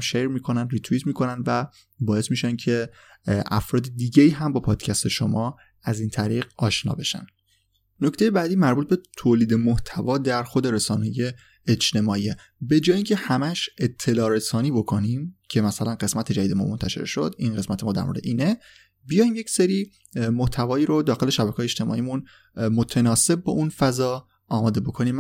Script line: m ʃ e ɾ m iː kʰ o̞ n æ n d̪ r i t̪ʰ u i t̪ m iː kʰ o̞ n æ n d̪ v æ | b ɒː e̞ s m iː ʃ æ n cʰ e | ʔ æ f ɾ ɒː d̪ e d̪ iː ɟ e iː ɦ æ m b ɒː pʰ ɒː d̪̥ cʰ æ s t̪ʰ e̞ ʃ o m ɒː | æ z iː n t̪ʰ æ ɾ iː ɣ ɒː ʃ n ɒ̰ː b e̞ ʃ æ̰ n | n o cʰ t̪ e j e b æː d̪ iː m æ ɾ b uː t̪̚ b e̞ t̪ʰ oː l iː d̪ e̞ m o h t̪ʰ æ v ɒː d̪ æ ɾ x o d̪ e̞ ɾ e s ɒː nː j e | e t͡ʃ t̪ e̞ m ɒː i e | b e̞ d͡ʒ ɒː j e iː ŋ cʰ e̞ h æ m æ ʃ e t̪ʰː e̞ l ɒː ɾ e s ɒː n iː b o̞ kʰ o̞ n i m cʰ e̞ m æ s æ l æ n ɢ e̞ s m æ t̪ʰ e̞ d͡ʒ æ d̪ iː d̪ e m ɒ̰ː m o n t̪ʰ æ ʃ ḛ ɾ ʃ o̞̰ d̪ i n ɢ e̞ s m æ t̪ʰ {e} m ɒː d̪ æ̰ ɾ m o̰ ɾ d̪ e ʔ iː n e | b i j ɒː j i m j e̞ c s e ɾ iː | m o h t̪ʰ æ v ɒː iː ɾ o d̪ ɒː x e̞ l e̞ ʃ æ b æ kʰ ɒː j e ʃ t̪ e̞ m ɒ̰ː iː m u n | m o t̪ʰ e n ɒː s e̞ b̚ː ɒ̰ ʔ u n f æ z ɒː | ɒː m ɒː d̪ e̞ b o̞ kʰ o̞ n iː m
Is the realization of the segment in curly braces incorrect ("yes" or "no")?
no